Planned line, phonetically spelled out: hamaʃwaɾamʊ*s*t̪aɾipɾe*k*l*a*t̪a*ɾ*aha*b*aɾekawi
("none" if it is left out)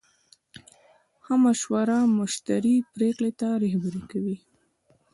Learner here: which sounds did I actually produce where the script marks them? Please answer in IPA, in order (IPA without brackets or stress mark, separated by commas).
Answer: ʃ, k, e, ɾ, b